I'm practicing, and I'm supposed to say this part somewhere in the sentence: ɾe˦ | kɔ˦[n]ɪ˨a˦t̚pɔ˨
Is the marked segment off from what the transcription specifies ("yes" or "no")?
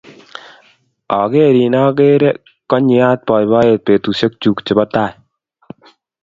yes